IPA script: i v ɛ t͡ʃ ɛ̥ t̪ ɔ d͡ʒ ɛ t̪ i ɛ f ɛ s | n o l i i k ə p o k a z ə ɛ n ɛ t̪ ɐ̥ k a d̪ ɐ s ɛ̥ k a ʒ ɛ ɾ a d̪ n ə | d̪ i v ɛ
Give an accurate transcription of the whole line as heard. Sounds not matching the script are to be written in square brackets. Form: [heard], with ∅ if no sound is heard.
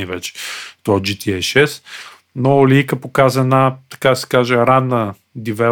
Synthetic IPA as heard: i v ɛ t͡ʃ ɛ̥ t̪ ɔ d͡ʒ [i] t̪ i ɛ [ʃ] ɛ s | n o l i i k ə p o k a z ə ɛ n [a] t̪ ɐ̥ k a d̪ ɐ s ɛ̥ k a ʒ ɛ ɾ a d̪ n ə | d̪ i v ɛ